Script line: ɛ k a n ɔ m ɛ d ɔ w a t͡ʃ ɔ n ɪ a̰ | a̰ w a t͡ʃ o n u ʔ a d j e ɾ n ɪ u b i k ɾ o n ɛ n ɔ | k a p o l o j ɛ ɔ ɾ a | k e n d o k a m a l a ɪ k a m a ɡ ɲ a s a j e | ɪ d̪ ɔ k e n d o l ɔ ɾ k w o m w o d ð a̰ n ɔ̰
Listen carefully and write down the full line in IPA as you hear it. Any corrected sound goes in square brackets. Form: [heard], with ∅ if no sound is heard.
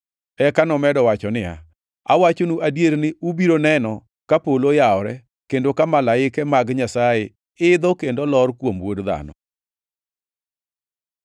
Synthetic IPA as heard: ɛ k a n ɔ m ɛ d ɔ w a t͡ʃ ɔ n ɪ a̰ | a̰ w a t͡ʃ o n u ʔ a d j e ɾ n ɪ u b i [∅] ɾ o n ɛ n ɔ | k a p o l o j [a] ɔ ɾ [ɛ] | k e n d o k a m a l a ɪ k [ɛ] m a ɡ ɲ a s a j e | ɪ d̪ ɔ k e n d o l ɔ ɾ k w o m w o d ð a̰ n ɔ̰